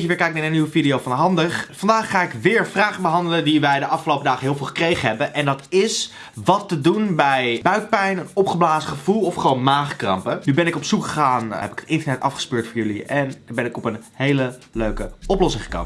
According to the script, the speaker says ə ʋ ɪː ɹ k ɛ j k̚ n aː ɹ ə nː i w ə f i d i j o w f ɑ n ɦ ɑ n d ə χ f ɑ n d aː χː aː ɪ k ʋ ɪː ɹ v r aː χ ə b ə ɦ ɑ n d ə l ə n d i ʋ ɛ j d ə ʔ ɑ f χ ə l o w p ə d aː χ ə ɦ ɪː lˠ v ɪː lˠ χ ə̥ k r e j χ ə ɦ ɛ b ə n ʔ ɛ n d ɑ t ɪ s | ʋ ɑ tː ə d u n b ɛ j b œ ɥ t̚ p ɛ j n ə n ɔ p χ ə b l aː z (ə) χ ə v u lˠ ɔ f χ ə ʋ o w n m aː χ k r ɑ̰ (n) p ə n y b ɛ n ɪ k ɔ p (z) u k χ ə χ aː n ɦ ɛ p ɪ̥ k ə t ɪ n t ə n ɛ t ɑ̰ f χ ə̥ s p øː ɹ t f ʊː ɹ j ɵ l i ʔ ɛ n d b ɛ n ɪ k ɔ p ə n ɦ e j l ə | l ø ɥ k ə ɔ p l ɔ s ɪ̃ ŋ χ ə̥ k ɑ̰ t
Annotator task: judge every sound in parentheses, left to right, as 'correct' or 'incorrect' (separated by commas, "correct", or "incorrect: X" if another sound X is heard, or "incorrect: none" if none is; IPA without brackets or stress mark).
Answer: correct, incorrect: m, incorrect: s